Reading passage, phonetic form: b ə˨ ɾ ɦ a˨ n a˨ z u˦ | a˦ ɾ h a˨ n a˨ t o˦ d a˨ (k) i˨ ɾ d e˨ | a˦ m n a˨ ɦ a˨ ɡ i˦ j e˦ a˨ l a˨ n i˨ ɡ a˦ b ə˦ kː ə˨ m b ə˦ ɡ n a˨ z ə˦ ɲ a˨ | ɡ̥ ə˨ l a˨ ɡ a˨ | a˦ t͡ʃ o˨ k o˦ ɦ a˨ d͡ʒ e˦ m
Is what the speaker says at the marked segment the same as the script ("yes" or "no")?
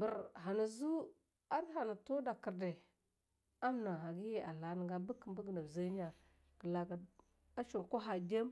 yes